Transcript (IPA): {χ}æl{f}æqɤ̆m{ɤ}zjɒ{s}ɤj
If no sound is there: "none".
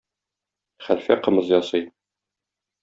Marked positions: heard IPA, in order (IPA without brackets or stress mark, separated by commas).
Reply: χ, f, ɤ, s